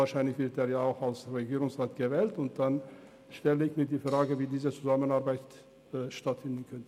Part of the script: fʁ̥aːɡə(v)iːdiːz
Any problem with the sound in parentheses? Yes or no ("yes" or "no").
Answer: no